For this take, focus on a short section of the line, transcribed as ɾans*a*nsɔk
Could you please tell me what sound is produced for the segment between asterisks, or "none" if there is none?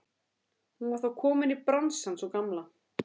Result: a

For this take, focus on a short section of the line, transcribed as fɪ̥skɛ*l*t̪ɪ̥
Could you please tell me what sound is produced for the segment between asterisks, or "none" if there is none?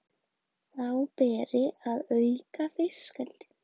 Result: l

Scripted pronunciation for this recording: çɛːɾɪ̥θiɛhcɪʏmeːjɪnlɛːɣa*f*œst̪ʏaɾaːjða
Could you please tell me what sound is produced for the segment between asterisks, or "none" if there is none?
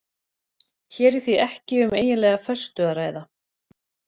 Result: f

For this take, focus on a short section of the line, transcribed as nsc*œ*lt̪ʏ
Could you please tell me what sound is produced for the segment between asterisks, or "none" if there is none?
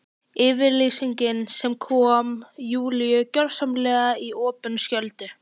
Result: œ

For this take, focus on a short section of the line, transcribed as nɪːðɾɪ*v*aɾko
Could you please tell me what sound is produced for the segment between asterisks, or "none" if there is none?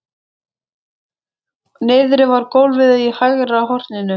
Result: v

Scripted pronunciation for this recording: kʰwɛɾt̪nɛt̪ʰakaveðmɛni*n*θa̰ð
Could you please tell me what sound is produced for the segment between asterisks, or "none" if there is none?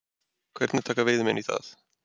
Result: none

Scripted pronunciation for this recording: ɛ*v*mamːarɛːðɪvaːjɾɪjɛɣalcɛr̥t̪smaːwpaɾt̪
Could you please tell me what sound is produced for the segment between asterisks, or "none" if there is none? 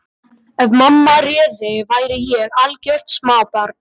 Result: v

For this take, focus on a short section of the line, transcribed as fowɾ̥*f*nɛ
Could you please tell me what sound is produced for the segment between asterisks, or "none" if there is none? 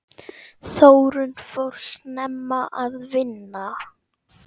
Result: s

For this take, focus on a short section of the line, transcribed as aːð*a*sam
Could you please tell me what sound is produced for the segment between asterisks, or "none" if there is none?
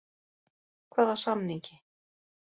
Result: a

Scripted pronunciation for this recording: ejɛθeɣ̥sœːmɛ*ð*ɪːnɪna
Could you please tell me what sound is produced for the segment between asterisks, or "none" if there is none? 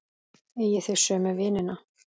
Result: v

